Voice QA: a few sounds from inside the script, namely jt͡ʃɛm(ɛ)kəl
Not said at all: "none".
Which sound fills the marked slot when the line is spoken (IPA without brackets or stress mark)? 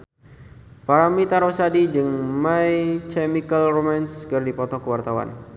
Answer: i